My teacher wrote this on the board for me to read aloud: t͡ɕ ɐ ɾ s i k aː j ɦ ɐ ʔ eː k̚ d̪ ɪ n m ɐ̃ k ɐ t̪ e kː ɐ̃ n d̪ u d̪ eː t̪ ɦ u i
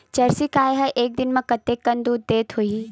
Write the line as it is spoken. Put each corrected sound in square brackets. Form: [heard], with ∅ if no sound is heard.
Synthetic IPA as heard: t͡ɕ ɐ ɾ s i k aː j ɦ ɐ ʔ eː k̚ d̪ ɪ n m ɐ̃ k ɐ t̪ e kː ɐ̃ n d̪ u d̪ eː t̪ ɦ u i

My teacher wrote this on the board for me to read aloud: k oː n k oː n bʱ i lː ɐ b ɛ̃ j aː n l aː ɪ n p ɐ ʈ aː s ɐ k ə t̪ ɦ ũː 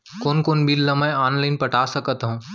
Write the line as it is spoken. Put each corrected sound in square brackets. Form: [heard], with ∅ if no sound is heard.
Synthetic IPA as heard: k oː n k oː n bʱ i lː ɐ [m] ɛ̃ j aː n l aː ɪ n p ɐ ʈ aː s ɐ k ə t̪ ɦ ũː

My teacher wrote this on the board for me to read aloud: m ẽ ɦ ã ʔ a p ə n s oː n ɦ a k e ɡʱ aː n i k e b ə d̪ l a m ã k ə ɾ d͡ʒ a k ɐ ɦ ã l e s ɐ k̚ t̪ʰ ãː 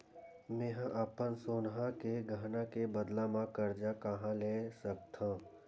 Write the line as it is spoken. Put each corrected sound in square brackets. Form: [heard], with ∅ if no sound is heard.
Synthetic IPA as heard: m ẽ ɦ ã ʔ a p ə n s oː n ɦ a k e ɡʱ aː n [a] k e b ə d̪ l a m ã k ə ɾ d͡ʒ a k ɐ ɦ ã l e s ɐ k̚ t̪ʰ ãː

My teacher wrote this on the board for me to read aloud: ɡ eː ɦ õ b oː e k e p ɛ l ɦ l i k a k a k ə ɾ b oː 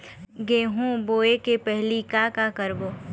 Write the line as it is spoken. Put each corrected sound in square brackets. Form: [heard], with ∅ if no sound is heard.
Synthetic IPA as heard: ɡ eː ɦ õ b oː e k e p ɛ [∅] ɦ l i k a k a k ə ɾ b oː

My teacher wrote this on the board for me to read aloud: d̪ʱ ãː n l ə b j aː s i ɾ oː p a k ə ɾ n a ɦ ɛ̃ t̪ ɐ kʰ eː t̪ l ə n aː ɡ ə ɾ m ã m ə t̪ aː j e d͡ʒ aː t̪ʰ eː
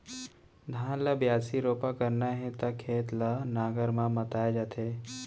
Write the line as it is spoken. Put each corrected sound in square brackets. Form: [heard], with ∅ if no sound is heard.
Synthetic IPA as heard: d̪ʱ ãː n l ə b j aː s i ɾ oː p a k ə ɾ n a ɦ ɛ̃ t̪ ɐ kʰ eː t̪ l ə n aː ɡ ə ɾ m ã m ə t̪ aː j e d͡ʒ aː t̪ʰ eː

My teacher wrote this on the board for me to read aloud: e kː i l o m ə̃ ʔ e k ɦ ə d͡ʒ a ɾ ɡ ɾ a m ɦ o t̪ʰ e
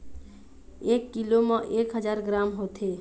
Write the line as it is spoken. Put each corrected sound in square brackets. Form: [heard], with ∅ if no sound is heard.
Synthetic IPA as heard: e kː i l o m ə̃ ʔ e k ɦ ə d͡ʒ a ɾ ɡ ɾ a m ɦ o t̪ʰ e

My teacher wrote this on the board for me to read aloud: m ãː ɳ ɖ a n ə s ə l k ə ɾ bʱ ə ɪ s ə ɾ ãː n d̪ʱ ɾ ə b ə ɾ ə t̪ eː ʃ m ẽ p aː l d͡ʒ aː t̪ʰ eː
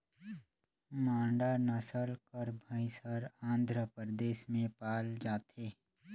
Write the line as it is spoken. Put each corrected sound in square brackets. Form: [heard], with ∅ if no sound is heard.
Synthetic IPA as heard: m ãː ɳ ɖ a n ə s ə l k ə ɾ bʱ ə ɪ s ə ɾ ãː n d̪ʱ ɾ ə [p] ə ɾ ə [d̪] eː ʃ m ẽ p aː l d͡ʒ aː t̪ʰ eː

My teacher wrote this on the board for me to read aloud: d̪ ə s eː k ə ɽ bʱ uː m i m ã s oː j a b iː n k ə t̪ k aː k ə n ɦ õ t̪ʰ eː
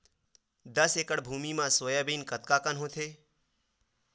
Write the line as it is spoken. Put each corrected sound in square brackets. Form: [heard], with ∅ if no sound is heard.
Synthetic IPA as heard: d̪ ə s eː k ə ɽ bʱ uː m i m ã s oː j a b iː n k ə t̪ k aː k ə n ɦ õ t̪ʰ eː

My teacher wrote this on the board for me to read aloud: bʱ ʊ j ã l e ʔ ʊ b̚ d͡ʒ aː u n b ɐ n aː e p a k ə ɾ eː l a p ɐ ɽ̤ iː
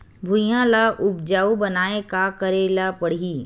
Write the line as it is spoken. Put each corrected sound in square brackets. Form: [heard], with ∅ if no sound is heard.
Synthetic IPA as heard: bʱ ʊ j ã l [a] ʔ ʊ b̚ d͡ʒ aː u [∅] b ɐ n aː e [k] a k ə ɾ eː l a p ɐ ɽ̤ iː

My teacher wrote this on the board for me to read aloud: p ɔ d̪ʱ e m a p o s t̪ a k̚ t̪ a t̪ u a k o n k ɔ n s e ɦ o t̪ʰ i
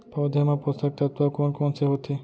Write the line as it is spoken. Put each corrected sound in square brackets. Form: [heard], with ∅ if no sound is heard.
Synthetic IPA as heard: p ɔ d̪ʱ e m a p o s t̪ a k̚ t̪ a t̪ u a k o n k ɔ n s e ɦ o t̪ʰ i

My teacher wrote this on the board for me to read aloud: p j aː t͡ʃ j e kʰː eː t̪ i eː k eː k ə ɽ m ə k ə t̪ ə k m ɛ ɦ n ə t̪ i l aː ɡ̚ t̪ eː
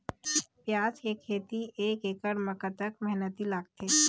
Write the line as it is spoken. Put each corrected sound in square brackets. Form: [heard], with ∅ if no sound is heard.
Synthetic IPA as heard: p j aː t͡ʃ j e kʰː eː t̪ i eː k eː k ə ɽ m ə k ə t̪ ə k m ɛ ɦ n ə t̪ i l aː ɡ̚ t̪ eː

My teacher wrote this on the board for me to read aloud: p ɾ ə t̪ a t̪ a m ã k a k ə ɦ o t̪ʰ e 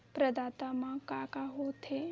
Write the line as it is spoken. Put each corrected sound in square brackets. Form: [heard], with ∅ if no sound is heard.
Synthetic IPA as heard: p ɾ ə [d̪] a t̪ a m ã k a k [a] ɦ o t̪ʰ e

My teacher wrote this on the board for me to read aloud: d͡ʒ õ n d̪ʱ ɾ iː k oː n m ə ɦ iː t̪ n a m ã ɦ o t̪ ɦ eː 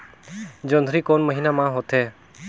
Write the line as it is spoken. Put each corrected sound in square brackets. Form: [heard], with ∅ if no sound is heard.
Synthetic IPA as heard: d͡ʒ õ n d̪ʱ ɾ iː k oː n m ə ɦ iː [∅] n a m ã ɦ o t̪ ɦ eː

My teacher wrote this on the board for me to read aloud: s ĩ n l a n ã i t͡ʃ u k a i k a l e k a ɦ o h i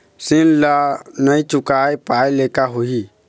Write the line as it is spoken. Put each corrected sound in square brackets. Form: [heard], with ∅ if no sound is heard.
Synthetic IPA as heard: s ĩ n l a n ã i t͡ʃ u k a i [p] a l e k a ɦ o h i

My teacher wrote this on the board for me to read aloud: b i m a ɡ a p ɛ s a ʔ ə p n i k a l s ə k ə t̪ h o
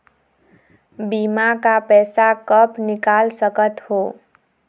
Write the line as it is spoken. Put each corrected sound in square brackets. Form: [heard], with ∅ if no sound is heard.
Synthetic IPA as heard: b i m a [k] a p ɛ s a [k] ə p n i k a l s ə k ə t̪ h o

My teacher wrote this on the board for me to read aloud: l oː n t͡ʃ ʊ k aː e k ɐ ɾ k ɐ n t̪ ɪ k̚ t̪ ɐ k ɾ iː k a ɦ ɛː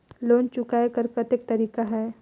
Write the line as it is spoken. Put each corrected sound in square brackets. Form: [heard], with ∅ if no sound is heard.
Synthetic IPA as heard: l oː n t͡ʃ ʊ k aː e k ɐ ɾ k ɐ [∅] t̪ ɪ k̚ t̪ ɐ [∅] ɾ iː k a ɦ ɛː

